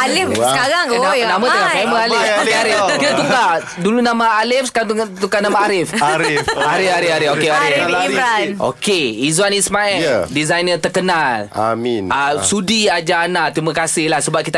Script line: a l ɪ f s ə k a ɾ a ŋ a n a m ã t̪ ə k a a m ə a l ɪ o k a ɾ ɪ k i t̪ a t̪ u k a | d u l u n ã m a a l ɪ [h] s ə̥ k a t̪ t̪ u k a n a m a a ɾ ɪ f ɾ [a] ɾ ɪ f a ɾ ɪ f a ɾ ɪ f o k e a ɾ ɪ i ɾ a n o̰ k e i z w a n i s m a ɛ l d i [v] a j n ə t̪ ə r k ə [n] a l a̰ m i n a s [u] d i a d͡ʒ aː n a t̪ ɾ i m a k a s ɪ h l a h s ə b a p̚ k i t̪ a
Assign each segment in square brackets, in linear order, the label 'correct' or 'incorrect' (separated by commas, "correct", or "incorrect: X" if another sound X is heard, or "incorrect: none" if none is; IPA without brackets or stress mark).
incorrect: f, correct, incorrect: z, correct, correct